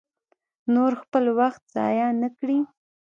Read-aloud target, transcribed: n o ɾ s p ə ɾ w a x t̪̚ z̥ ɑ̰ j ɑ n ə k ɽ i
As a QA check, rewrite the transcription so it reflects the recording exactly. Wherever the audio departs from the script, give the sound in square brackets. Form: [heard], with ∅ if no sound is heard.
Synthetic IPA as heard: n o ɾ [x] p ə [l] w a x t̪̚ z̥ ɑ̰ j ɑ n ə k ɽ i